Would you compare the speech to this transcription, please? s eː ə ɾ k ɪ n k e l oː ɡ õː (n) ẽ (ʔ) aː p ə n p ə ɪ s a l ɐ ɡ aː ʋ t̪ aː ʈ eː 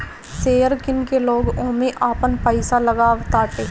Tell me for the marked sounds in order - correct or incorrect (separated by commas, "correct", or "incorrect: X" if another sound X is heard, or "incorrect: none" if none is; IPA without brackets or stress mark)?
incorrect: m, correct